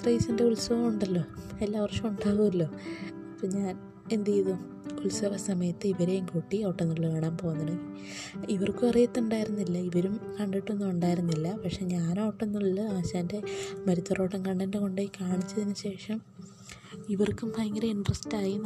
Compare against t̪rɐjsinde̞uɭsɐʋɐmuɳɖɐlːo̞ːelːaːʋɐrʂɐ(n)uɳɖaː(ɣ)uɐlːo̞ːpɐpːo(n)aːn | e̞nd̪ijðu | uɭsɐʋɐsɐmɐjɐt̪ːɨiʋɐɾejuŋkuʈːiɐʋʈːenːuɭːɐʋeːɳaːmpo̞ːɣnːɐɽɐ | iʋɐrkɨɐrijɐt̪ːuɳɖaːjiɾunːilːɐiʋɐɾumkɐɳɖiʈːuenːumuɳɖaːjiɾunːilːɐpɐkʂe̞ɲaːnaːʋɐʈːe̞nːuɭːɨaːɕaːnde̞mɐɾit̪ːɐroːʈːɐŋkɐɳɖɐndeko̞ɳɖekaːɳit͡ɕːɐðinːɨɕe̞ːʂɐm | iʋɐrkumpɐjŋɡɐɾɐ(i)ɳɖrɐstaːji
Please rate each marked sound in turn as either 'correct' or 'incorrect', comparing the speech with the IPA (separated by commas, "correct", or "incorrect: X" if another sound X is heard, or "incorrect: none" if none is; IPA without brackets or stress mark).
incorrect: m, correct, incorrect: ɲ, correct